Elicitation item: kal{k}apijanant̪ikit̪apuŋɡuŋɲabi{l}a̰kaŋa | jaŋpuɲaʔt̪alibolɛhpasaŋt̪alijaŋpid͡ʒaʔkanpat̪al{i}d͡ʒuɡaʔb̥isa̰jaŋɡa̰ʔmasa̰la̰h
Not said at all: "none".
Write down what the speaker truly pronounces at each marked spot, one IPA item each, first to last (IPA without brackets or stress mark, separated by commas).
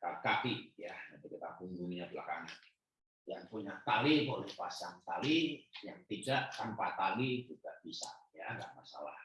k, l, i